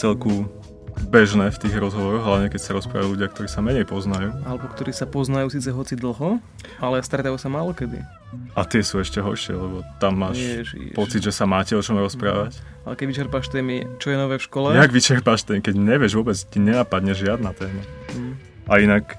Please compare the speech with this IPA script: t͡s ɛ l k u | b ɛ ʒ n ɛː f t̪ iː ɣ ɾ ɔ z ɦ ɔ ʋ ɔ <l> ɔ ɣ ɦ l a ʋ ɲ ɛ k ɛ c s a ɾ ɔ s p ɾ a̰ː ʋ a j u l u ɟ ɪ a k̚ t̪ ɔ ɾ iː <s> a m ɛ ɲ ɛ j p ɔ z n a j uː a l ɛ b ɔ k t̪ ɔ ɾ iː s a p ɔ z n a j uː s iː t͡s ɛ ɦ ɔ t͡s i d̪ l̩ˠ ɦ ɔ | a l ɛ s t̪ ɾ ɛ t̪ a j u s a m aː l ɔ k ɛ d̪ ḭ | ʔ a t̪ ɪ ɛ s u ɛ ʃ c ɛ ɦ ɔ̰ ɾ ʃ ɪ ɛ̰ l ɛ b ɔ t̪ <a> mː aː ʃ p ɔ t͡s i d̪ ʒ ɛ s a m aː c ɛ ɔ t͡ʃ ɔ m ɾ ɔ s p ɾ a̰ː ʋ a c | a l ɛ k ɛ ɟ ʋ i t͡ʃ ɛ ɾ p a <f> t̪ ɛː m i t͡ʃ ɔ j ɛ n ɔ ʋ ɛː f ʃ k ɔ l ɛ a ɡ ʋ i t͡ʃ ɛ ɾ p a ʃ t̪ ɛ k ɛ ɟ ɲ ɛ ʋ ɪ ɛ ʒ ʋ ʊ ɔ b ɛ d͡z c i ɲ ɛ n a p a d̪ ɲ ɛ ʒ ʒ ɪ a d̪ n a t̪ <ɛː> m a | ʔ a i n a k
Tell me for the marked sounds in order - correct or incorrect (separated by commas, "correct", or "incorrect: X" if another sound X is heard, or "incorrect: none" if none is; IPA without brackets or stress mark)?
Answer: incorrect: ɾ, correct, correct, incorrect: ʃ, correct